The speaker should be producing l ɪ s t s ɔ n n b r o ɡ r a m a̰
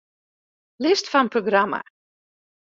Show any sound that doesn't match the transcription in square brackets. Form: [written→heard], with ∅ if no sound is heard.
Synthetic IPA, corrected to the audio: l ɪ s t [s→f] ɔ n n [b→p] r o ɡ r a m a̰